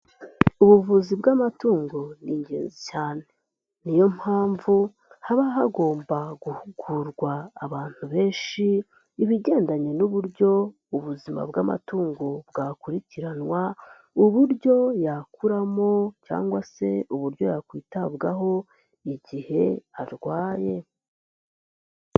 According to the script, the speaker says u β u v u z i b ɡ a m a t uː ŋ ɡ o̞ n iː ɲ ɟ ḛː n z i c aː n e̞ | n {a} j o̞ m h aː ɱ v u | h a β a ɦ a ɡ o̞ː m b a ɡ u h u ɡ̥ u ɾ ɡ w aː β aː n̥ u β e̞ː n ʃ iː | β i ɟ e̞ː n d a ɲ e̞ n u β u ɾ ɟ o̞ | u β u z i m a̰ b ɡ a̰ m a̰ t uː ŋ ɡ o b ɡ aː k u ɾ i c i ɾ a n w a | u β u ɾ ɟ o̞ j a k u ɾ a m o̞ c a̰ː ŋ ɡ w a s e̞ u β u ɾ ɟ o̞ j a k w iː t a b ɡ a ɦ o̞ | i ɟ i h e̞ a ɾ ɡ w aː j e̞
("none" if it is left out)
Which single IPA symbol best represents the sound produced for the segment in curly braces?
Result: i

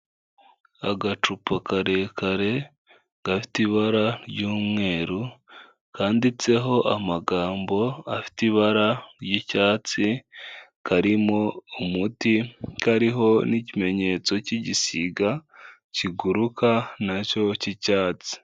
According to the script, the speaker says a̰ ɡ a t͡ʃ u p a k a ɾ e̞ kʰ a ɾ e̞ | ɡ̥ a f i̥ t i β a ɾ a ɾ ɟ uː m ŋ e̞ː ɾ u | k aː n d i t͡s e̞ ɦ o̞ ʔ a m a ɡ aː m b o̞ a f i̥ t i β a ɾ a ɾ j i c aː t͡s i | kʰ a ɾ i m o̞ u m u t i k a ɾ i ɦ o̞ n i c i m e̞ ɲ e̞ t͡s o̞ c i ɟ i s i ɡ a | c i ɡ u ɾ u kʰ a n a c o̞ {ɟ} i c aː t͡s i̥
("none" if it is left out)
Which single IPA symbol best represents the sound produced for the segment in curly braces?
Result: c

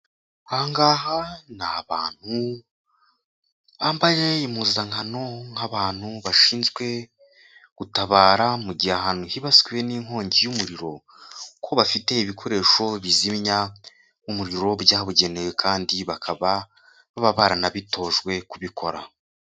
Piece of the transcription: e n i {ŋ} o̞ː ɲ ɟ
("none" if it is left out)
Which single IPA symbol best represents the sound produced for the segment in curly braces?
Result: ŋ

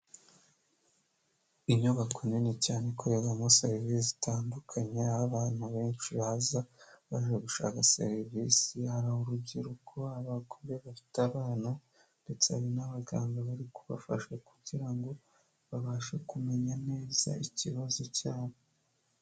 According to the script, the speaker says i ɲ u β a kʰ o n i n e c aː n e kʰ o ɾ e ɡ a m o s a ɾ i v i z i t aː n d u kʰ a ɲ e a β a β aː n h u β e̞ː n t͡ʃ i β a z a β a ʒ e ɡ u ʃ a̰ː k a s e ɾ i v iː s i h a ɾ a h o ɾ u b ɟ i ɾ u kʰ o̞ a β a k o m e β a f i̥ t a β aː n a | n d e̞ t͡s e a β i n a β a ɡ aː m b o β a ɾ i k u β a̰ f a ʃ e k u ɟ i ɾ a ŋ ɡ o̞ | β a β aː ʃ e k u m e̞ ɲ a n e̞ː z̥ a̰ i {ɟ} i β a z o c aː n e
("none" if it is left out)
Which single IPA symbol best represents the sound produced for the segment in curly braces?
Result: c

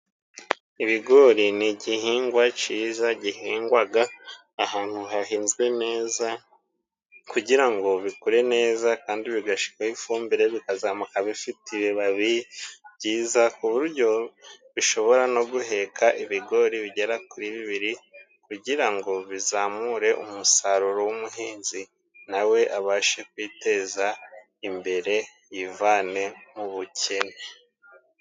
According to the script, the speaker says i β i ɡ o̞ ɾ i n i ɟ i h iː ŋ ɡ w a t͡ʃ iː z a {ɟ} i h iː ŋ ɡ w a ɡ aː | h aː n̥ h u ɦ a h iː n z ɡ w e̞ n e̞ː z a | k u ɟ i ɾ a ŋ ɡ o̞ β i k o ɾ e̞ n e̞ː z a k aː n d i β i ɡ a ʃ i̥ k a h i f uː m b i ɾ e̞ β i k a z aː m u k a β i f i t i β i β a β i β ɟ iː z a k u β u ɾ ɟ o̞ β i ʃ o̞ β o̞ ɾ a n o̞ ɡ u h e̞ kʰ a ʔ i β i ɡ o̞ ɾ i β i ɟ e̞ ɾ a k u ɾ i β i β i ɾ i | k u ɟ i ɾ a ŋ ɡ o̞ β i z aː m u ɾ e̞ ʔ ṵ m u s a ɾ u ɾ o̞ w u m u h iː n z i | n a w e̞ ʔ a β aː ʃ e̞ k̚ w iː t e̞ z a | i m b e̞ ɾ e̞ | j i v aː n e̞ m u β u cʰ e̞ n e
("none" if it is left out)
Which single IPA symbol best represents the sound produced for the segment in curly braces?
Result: ɟ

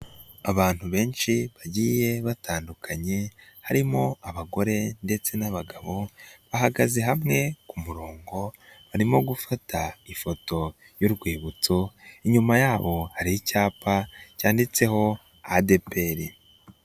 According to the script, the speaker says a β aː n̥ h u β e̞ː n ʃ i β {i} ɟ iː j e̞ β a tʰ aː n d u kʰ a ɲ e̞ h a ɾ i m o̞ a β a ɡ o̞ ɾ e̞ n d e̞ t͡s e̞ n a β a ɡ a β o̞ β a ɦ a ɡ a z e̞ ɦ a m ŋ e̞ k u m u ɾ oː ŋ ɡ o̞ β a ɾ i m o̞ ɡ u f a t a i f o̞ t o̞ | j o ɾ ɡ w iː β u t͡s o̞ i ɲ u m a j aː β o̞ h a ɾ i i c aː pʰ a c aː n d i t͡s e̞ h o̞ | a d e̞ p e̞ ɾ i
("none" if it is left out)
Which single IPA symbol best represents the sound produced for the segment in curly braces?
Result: a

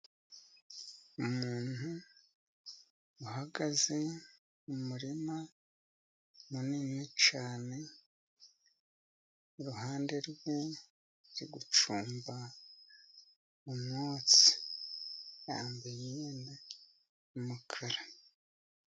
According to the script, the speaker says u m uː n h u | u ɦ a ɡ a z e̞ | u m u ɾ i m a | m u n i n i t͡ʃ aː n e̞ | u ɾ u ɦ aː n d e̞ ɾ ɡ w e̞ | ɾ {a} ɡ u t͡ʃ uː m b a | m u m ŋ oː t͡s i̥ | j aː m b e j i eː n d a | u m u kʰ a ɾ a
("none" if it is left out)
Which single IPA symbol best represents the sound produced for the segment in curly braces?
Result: i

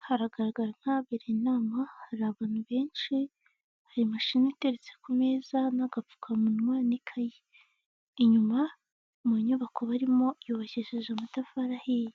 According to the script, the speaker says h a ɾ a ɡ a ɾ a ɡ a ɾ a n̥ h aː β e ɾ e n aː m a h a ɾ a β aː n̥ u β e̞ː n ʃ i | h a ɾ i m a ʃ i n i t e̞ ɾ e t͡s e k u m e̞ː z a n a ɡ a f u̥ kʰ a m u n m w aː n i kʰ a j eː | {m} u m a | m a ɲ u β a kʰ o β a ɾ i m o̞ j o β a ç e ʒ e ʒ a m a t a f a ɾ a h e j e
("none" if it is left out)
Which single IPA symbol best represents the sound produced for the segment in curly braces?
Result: ɲ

